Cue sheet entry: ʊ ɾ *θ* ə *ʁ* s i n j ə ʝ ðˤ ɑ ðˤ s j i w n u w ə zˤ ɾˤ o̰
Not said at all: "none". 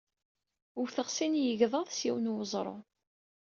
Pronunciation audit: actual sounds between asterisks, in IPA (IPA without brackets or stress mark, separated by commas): θ, ʁ